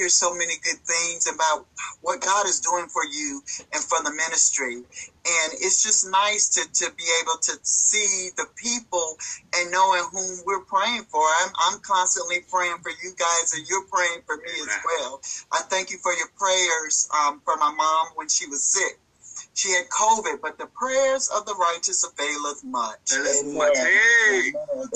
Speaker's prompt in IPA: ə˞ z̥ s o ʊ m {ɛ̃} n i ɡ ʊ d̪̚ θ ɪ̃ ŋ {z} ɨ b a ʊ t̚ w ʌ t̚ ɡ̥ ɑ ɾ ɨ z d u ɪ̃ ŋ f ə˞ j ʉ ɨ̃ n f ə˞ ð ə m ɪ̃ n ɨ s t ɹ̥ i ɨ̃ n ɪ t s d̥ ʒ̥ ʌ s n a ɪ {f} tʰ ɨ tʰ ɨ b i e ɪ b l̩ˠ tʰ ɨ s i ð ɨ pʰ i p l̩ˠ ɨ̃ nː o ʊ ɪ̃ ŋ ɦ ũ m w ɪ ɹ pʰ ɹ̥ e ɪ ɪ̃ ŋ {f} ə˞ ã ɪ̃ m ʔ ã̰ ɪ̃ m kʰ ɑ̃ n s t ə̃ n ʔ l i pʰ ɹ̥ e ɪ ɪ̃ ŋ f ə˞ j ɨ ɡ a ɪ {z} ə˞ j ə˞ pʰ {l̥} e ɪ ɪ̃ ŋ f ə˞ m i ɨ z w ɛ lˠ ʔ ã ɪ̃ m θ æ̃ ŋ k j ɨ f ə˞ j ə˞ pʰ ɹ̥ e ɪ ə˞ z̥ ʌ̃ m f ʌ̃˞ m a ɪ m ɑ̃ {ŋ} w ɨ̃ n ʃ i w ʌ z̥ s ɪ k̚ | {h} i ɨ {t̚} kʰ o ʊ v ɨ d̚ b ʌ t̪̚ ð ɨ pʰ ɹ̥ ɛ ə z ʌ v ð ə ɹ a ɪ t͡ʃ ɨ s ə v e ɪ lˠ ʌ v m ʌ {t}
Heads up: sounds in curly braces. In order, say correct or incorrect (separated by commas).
incorrect, correct, incorrect, correct, correct, incorrect, incorrect, incorrect, incorrect, incorrect